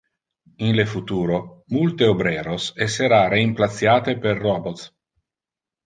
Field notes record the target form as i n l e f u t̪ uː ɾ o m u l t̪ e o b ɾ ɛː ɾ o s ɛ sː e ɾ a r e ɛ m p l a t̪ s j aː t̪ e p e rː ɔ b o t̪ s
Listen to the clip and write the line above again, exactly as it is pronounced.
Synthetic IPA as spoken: i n l e f u t̪ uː ɾ o m u l t̪ e o b ɾ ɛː ɾ o s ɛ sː e ɾ a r e i m p l a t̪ s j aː t̪ e p e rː ɔ b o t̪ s